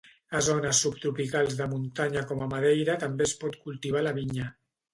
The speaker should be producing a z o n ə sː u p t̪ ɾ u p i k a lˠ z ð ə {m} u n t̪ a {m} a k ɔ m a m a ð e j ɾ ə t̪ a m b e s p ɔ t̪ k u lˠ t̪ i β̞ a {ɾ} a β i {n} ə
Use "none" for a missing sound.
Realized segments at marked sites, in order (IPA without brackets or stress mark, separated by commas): m, ɲ, l, ɲ